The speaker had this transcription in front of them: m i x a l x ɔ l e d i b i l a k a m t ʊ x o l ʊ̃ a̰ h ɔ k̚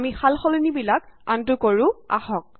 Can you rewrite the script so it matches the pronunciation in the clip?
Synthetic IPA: m i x a l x ɔ l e n i b i l a k a n t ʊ k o ɹ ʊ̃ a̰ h ɔ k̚